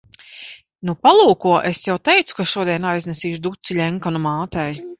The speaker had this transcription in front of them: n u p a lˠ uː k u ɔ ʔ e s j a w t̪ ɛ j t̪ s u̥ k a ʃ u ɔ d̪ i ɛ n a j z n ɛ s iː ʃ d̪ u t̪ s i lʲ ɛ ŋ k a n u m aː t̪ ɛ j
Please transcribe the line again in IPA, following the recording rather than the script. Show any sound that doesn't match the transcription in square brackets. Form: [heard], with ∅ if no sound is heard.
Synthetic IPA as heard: n u p a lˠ uː k u ɔ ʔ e s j a w t̪ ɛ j t̪ s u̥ k a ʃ u ɔ d̪ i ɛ n a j z n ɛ s iː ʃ d̪ u t̪ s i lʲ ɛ ŋ k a n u m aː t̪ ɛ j